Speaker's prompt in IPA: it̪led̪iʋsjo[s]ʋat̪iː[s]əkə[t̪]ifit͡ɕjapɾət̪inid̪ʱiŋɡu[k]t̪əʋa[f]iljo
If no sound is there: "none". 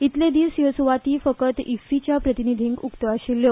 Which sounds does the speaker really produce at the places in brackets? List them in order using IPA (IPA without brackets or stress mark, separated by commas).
s, f, t̪, k, ɕ